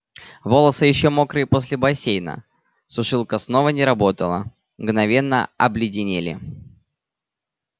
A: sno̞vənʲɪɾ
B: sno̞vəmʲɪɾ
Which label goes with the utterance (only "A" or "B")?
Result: A